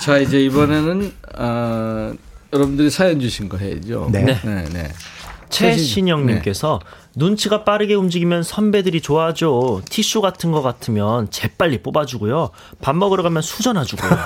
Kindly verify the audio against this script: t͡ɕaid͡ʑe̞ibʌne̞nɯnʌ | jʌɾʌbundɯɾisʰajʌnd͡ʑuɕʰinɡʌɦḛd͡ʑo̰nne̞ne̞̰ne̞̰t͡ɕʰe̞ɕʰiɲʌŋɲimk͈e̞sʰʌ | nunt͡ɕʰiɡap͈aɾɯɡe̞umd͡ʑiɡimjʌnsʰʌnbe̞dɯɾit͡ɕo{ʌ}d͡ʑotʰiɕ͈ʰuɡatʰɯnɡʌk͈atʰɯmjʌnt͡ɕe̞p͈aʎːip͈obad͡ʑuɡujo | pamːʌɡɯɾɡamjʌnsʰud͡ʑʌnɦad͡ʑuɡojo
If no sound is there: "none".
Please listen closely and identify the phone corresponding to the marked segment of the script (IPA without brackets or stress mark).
a